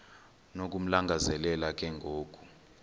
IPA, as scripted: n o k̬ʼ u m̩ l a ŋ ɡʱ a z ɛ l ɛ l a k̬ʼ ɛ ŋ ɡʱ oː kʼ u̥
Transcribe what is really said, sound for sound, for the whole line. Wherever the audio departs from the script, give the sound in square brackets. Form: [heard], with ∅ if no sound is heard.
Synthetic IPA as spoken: n o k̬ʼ u m̩ l a ŋ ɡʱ a z ɛ l ɛ l a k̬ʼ ɛ ŋ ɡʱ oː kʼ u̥

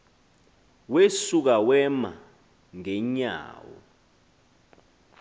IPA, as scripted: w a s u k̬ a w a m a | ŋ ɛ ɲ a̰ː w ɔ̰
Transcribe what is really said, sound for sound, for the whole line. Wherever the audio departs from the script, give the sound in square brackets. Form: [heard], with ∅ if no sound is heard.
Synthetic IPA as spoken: w [e] s u k̬ a w [ɛ] m a | ŋ ɛ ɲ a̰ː w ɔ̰

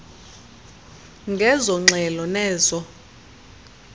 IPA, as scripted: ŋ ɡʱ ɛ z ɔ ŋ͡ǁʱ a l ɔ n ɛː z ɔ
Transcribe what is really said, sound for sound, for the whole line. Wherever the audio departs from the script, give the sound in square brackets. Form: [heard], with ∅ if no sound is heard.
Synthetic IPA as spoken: ŋ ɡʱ ɛ z ɔ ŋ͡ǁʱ [ɛ] l ɔ n ɛː z ɔ

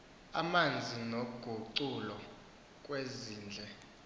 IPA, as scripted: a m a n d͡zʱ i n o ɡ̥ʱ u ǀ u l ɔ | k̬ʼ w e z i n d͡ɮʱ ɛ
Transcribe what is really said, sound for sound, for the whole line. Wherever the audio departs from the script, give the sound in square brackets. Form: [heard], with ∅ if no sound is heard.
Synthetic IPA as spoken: a m a n d͡zʱ i n o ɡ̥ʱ u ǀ u l ɔ | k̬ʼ w e z [iː] n d͡ɮʱ ɛ

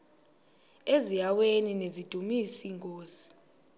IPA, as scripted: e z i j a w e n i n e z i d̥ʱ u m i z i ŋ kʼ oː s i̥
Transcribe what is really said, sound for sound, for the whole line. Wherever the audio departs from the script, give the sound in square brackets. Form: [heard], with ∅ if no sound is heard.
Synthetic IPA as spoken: e z i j a w e n i n e z i d̥ʱ u m i [s] i ŋ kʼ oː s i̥

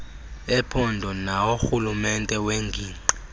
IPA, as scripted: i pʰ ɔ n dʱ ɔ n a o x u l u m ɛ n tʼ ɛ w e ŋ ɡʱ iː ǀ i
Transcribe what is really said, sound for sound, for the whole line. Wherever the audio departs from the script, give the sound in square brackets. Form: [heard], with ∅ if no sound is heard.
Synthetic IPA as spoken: [ɛ] pʰ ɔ n dʱ ɔ n a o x u l u m ɛ n tʼ ɛ w e ŋ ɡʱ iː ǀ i

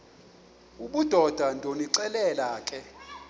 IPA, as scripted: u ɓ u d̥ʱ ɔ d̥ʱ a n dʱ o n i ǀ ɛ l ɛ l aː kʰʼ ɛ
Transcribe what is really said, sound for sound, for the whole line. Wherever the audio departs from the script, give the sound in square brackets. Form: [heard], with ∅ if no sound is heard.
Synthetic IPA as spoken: u ɓ u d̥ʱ ɔ d̥ʱ a n dʱ o n i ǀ ɛ l ɛ l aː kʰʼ ɛ

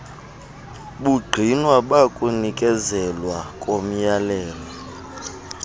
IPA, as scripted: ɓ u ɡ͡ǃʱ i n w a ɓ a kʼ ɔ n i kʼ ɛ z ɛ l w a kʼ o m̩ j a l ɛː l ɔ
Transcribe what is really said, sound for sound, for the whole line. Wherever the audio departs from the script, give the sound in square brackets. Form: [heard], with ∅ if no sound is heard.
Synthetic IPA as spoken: ɓ u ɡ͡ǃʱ i n w a ɓ a kʼ [u] n i kʼ ɛ z ɛ l w a kʼ o m̩ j a l ɛː l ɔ

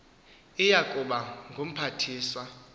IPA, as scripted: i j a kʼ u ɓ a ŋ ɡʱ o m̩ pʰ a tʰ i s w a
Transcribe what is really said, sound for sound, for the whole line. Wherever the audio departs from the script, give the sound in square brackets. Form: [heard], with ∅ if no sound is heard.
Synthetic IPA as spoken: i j a kʼ u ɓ a ŋ ɡʱ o m̩ pʰ a tʰ [iː] s w a

